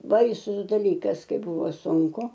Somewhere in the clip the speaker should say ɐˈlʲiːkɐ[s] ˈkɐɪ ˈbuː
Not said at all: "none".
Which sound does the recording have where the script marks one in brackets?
s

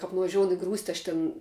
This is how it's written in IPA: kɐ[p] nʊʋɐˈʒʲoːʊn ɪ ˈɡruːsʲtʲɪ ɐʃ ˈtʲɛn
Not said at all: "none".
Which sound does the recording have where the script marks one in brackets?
p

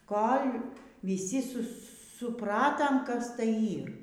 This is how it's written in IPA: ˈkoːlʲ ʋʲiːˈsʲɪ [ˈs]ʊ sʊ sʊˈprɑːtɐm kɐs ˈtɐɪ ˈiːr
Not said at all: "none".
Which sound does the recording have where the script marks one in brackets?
s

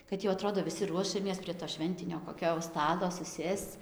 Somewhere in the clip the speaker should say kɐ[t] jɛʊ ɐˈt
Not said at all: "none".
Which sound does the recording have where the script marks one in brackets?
t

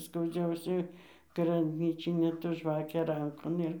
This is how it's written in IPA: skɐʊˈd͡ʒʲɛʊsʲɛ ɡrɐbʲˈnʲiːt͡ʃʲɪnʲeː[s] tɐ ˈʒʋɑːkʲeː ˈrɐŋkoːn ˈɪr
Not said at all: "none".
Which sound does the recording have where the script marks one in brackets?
none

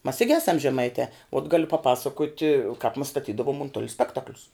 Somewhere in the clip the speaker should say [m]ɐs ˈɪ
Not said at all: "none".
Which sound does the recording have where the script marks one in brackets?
m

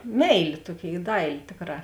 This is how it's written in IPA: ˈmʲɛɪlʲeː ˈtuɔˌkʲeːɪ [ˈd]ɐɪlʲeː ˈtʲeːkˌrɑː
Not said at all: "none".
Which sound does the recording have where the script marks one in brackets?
d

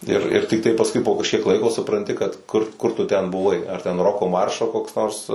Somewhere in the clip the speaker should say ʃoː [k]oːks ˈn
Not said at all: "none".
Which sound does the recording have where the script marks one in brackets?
k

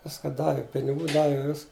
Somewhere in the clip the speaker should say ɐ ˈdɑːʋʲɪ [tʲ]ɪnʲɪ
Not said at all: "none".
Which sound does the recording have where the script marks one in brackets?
pʲ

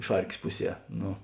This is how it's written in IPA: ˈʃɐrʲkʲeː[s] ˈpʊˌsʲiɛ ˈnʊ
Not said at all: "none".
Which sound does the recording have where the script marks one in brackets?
s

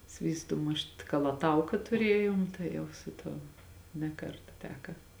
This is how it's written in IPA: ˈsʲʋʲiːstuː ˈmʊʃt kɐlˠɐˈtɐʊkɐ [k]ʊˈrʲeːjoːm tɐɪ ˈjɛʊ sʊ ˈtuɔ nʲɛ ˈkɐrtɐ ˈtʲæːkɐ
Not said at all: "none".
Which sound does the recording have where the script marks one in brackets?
t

